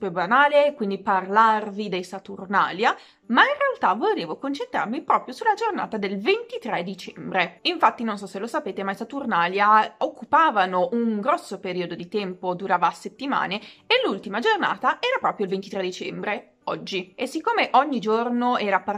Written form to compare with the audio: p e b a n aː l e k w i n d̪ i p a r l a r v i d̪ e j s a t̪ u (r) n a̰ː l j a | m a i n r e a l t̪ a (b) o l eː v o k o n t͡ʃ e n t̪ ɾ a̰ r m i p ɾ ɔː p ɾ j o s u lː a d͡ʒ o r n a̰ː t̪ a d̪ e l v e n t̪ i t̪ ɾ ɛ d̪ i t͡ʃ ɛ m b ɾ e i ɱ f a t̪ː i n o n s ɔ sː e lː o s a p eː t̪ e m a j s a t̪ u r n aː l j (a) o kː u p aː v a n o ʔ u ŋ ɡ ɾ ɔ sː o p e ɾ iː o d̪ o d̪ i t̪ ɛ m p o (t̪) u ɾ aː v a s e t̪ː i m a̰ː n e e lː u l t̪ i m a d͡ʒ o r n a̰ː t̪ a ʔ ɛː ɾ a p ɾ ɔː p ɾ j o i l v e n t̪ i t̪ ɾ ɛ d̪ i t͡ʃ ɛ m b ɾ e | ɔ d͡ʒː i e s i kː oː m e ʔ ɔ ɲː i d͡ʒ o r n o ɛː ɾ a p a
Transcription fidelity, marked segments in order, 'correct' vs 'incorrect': correct, incorrect: v, correct, incorrect: d̪

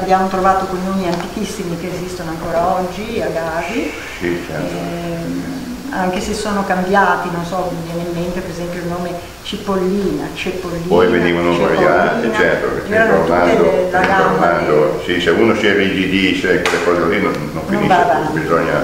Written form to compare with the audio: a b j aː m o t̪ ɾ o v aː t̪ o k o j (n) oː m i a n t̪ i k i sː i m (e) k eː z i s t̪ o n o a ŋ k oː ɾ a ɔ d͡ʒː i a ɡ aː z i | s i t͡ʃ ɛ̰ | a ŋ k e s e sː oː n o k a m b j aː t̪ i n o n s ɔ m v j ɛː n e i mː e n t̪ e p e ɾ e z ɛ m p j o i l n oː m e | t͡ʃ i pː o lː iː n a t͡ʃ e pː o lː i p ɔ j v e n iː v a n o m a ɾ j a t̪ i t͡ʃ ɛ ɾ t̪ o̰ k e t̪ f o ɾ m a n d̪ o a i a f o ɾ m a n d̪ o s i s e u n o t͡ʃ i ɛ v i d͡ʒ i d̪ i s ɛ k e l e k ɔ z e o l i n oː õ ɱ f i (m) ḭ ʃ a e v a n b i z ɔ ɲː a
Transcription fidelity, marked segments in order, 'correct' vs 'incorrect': correct, incorrect: i, incorrect: n

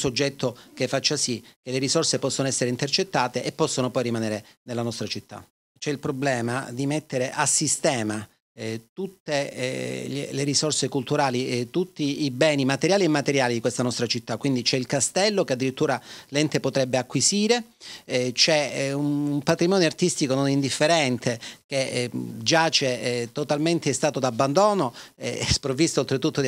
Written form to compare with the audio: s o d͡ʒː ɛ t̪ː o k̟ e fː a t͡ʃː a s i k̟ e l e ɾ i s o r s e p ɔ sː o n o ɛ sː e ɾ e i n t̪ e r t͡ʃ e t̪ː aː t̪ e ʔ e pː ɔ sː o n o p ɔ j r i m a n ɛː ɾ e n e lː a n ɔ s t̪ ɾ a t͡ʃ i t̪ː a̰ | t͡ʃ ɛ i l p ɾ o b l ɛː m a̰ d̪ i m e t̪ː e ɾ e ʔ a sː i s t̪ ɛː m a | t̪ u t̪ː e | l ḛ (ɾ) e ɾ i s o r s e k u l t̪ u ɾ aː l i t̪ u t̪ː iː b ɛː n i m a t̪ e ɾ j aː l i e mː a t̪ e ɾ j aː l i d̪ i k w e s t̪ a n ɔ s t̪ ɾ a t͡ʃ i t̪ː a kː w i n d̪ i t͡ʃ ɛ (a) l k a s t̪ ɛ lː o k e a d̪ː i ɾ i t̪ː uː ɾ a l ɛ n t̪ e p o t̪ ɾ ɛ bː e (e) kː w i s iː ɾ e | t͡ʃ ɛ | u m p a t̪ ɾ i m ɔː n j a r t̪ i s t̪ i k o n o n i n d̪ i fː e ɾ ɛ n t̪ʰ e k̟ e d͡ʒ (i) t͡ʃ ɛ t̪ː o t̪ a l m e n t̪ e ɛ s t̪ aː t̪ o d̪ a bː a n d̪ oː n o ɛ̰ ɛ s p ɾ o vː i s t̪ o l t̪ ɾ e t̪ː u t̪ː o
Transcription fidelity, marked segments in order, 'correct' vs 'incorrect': incorrect: l, incorrect: i, incorrect: a, incorrect: a

